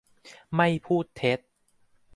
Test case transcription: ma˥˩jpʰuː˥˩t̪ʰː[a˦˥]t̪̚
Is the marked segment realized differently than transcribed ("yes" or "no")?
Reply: yes